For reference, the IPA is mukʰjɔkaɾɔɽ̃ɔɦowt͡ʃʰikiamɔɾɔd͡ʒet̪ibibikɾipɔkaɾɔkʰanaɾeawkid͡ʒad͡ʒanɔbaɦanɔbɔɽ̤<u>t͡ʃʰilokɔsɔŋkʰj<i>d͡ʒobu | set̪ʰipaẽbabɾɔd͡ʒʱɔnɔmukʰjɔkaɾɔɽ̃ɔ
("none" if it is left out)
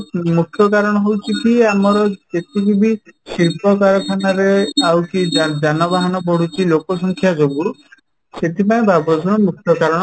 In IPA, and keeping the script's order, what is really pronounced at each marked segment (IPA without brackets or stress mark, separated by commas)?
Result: u, a